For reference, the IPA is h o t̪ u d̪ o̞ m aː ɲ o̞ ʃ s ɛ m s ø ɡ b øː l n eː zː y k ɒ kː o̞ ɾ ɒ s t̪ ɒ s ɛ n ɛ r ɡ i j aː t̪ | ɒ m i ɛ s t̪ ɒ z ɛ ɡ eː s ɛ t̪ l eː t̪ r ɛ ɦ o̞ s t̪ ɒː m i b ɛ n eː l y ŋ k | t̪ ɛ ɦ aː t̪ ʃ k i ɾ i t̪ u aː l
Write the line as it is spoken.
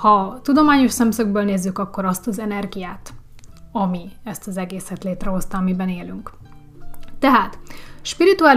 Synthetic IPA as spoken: h ɒ t̪ u d̪ o̞ m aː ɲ o̞ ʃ s ɛ m s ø ɡ b øː l n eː zː y k ɒ kː o̞ ɾ ɒ s t̪ ɒ z ɛ n ɛ r ɡ i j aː t̪ | ɒ m i ɛ s t̪ ɒ z ɛ ɡ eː s ɛ t̪ l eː t̪ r ɛ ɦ o̞ s t̪ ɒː m i b ɛ n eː l y ŋ k | t̪ ɛ ɦ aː t̪ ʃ p i ɾ i t̪ u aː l